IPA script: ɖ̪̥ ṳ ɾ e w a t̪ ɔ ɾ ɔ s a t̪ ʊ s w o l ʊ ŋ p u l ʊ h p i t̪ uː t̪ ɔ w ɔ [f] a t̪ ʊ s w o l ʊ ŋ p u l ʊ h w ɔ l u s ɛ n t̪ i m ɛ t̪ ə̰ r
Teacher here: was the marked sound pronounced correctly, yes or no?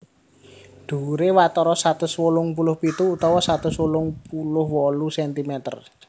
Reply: no